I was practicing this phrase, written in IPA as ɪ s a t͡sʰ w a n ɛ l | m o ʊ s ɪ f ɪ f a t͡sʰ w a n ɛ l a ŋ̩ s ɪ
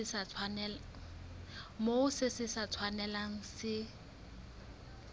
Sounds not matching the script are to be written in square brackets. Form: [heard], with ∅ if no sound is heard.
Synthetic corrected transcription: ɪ s a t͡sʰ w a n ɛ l | m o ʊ s ɪ [s] ɪ [s] a t͡sʰ w a n ɛ l a ŋ̩ s ɪ